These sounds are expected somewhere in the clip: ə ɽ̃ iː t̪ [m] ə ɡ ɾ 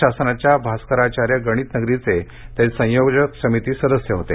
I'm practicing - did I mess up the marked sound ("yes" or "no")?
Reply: yes